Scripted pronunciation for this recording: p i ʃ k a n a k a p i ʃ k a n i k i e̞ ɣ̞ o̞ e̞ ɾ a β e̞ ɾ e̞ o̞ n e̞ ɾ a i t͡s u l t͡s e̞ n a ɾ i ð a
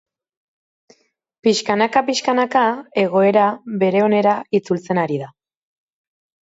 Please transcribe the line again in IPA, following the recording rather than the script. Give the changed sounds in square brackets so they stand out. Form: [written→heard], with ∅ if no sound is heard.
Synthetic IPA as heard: p i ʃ k a n a k a p i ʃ k a n [i→a] k [i→a] e̞ ɣ̞ o̞ e̞ ɾ a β e̞ ɾ e̞ o̞ n e̞ ɾ a i t͡s u l t͡s e̞ n a ɾ i ð a